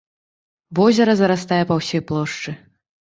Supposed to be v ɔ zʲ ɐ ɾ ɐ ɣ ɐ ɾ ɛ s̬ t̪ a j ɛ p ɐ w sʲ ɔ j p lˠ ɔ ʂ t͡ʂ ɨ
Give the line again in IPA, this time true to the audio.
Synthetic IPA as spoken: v ɔ zʲ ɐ ɾ ɐ z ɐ ɾ a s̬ t̪ a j ɛ p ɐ w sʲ ɔ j p lˠ ɔ ʂ t͡ʂ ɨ